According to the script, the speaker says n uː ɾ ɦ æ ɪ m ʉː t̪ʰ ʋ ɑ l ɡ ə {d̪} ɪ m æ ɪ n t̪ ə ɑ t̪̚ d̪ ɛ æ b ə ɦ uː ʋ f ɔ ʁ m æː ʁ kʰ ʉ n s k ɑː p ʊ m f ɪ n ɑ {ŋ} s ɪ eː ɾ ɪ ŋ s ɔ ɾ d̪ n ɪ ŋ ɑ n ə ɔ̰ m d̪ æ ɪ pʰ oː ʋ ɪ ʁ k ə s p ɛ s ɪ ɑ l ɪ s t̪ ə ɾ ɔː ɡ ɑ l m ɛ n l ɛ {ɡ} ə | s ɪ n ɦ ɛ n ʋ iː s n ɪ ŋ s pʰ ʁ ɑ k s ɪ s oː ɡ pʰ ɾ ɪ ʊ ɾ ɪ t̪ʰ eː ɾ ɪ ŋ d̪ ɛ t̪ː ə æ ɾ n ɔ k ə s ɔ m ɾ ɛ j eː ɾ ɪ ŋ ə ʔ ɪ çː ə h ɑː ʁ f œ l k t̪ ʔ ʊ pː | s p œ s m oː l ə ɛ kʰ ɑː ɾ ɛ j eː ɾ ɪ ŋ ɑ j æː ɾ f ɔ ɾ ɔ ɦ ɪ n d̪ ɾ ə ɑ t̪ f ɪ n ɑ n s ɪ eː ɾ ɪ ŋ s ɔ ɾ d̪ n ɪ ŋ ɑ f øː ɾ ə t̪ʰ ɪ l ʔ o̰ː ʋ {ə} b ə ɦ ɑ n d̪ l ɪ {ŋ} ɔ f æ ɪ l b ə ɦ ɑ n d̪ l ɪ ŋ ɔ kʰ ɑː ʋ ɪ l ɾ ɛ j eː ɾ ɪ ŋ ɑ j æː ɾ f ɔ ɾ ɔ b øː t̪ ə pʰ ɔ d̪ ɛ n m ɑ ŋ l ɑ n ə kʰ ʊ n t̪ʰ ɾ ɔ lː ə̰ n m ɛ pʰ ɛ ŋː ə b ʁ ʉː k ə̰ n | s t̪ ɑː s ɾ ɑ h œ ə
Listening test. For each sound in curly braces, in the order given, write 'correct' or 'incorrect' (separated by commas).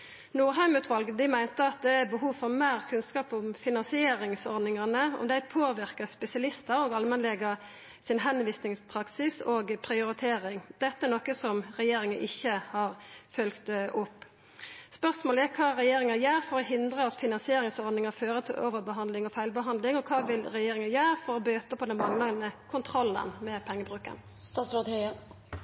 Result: correct, incorrect, correct, correct, correct